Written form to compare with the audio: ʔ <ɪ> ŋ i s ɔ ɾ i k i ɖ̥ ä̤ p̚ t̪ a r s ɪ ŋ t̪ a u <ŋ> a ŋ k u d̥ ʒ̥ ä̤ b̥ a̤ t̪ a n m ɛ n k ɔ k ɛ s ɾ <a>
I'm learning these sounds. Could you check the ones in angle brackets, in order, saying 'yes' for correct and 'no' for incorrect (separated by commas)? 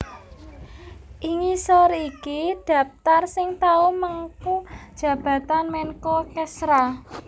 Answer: no, no, yes